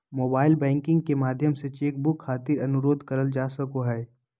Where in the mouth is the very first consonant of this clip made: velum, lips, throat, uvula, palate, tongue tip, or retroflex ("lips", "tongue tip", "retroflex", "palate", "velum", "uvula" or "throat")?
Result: lips